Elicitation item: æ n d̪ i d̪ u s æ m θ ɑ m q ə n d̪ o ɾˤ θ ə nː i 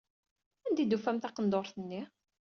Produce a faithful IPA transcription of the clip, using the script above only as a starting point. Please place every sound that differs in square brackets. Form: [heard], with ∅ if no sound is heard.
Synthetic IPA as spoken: æ n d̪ i d̪ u [f] æ m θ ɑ [∅] q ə n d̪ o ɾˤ θ ə nː i

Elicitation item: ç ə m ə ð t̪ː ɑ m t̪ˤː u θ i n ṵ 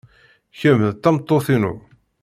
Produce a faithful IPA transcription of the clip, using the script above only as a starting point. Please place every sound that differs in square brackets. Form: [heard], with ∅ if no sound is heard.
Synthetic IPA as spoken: ç ə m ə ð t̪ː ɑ m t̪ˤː [o] θ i n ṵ

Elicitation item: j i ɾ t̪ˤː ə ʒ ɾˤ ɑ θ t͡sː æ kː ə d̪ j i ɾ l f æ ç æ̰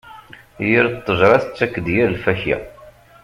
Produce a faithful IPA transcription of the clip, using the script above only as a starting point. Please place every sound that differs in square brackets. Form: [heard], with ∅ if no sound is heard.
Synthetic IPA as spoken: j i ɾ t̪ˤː ə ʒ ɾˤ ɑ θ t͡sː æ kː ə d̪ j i ɾ l f æ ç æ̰

